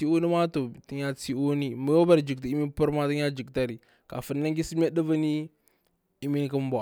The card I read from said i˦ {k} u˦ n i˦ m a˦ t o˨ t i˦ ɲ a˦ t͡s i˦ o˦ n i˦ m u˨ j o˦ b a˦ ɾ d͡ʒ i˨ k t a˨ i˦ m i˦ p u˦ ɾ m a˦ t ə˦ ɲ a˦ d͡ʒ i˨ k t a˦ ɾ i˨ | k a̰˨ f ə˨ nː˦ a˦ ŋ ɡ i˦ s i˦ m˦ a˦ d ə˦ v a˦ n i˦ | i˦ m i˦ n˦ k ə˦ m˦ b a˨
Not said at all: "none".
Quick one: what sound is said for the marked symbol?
none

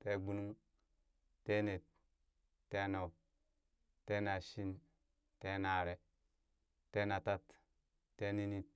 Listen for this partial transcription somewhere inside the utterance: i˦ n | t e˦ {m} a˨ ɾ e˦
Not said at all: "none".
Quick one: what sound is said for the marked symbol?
n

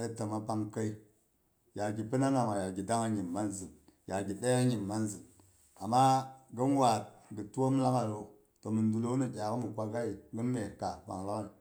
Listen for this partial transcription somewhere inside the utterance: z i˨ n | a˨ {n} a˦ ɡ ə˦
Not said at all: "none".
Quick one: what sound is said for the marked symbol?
m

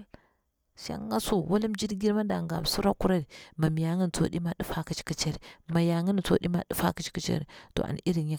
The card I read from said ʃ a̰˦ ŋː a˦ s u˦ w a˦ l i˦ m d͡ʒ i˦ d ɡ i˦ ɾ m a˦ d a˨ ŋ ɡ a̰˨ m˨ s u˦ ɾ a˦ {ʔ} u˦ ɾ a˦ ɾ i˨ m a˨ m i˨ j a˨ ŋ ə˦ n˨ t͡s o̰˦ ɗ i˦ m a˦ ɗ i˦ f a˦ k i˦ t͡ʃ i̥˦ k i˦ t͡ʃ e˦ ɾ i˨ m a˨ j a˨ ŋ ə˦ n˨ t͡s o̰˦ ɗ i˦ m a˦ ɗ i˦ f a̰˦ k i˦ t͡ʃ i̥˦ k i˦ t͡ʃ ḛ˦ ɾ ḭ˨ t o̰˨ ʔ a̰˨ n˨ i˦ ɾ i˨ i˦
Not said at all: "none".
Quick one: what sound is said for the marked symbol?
k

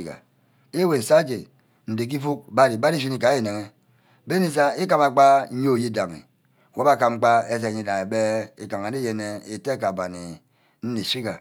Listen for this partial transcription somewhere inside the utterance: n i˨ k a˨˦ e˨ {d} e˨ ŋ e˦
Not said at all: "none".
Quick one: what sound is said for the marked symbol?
n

